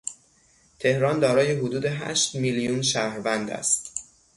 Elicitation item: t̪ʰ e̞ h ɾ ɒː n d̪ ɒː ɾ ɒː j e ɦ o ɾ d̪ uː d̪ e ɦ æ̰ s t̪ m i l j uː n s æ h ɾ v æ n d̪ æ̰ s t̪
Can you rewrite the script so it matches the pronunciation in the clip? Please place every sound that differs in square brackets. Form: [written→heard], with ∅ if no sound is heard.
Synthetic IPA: t̪ʰ e̞ h ɾ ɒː n d̪ ɒː ɾ ɒː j e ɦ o [ɾ→∅] d̪ uː d̪ e ɦ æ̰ [s→ʃ] t̪ m i l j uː n [s→ʃ] æ h ɾ v æ n d̪ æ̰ s t̪